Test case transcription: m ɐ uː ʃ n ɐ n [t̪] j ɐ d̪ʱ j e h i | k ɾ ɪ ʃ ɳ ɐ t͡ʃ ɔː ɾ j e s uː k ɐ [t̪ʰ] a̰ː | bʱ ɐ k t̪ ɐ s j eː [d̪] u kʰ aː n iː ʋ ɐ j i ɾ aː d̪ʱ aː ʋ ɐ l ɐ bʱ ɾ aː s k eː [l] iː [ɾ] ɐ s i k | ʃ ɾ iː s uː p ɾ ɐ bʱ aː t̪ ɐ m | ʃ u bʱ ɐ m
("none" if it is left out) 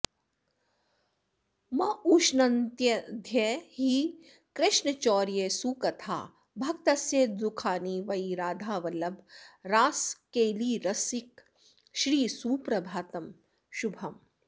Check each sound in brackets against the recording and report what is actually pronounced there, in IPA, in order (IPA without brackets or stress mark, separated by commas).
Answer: t̪, t̪ʰ, d̪, l, ɾ